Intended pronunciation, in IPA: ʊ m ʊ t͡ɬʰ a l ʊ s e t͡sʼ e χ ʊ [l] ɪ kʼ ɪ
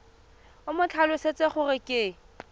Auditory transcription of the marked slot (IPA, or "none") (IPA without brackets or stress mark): r